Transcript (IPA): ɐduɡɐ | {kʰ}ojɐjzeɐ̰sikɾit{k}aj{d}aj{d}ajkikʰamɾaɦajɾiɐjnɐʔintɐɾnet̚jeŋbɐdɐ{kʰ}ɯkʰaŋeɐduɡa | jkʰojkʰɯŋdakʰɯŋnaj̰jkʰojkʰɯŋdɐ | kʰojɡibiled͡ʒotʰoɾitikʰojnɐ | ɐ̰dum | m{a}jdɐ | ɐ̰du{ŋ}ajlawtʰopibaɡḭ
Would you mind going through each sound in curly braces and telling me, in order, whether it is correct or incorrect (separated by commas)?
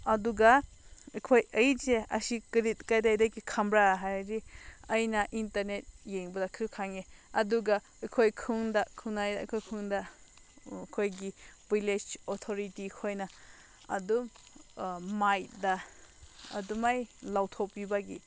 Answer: correct, correct, correct, correct, correct, correct, incorrect